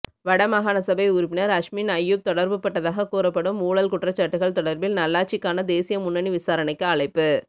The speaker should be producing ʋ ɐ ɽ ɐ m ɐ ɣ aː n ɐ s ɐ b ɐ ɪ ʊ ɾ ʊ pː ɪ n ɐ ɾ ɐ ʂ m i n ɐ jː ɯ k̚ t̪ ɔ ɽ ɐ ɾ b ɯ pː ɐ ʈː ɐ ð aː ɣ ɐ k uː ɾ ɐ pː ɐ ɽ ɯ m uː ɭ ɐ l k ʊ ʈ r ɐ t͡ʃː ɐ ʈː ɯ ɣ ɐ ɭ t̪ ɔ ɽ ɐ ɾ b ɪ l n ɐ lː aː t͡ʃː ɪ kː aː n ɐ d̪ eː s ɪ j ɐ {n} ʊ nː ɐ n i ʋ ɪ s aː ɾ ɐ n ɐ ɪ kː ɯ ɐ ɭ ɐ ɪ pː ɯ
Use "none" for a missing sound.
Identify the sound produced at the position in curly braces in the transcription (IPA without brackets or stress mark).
m